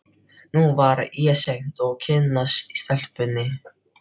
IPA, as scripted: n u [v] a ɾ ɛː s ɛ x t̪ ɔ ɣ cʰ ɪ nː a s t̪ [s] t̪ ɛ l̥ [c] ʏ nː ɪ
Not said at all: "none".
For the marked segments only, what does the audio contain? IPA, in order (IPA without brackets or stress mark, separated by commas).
v, s, p